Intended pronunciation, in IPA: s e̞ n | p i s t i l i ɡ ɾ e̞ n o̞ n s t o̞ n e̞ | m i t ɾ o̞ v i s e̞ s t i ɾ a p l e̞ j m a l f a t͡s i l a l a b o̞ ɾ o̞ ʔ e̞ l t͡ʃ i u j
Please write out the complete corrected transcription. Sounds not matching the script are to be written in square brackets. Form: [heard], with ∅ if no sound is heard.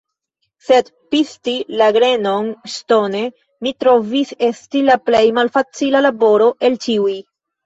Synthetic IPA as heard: s e̞ [d] | p i s t i l [a] ɡ ɾ e̞ n o̞ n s t o̞ n e̞ | m i t ɾ o̞ v i s e̞ s t i [l] a p l e̞ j m a l f a t͡s i l a l a b o̞ ɾ o̞ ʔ e̞ l t͡ʃ i u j